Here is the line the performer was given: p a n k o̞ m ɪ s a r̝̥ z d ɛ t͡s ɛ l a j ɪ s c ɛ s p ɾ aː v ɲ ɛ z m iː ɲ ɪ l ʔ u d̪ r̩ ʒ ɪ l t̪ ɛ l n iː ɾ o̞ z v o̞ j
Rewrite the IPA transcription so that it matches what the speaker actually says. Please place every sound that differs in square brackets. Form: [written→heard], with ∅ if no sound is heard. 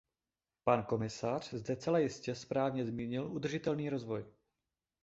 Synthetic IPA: p a n k o̞ m ɪ s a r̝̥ z d ɛ t͡s ɛ l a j ɪ s c ɛ s p ɾ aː v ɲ ɛ z m iː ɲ ɪ l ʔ u d̪ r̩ ʒ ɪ [l→∅] t̪ ɛ l n iː ɾ o̞ z v o̞ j